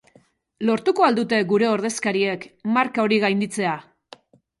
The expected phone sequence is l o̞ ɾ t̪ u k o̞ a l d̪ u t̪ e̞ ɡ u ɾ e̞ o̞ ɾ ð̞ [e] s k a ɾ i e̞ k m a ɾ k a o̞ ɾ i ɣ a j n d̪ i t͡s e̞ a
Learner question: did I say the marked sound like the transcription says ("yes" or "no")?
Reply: yes